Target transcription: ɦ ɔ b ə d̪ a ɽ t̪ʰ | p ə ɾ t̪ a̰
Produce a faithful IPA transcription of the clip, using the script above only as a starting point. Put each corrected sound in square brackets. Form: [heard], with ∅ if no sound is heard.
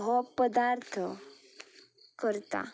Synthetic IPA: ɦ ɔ [p] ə d̪ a [ɾ] t̪ʰ | [k] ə ɾ t̪ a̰